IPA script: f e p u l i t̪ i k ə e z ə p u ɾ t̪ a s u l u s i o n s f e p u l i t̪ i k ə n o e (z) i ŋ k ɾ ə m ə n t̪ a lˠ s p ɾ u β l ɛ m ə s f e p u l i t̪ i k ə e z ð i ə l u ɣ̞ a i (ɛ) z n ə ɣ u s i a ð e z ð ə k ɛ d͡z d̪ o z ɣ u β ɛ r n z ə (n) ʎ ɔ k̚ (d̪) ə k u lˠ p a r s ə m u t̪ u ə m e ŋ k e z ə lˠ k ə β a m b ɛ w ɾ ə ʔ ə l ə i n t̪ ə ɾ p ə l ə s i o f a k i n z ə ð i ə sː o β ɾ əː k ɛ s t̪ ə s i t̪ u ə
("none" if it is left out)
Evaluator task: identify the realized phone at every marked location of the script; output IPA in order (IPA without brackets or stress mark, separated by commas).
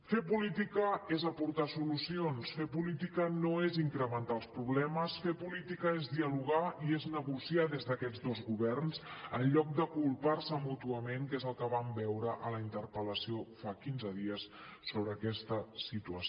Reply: z, e, n, d̪